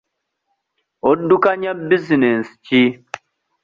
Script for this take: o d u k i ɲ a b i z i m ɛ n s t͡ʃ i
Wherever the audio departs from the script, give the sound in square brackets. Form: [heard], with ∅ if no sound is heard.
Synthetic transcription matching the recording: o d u k [a] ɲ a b i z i [n] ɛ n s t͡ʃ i